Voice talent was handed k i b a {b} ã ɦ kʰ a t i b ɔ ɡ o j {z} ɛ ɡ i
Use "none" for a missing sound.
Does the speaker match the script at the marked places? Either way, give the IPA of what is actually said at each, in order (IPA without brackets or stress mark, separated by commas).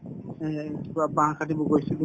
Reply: b, s